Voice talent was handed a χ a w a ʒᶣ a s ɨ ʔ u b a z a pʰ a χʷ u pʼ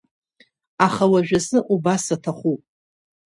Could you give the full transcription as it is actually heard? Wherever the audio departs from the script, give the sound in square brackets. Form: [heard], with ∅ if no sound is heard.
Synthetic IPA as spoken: a χ a w a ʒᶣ a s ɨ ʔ u b a [s] a [tʰ] a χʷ u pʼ